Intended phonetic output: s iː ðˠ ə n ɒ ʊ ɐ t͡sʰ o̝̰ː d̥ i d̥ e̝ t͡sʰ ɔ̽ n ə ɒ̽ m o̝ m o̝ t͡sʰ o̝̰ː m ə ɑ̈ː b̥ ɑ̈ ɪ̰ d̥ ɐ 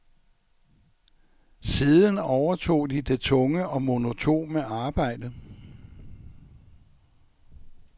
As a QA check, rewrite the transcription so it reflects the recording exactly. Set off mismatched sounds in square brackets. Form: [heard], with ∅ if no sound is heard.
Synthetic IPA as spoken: s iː ðˠ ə n ɒ ʊ ɐ t͡sʰ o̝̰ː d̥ i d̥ e̝ t͡sʰ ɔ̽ [ŋ] ə ɒ̽ m o̝ [n] o̝ t͡sʰ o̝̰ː m ə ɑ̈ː b̥ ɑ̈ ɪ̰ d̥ [ə]